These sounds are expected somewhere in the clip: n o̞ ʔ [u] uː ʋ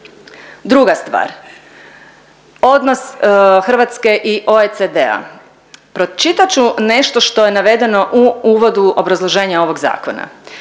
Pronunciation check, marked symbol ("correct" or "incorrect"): correct